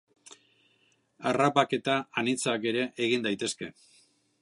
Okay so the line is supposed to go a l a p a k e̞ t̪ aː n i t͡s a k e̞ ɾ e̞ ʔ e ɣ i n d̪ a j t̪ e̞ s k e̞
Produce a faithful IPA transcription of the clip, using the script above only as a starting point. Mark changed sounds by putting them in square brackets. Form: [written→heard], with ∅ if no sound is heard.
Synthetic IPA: a [l→r] a p a k e̞ t̪ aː n i t͡s a k e̞ ɾ e̞ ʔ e ɣ i n d̪ a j t̪ e̞ s k e̞